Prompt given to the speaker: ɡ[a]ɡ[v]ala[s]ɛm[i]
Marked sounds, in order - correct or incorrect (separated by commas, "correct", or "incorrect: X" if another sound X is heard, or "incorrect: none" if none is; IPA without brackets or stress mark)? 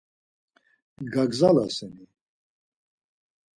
correct, incorrect: z, correct, correct